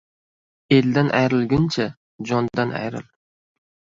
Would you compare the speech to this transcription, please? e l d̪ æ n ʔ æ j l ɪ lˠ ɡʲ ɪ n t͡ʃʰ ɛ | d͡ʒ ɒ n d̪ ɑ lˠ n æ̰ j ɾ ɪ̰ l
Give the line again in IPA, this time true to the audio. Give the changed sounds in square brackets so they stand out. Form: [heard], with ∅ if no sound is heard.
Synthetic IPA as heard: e l d̪ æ n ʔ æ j [ɾ] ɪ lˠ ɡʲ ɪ n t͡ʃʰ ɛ | d͡ʒ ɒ n d̪ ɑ [∅] n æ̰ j ɾ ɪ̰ l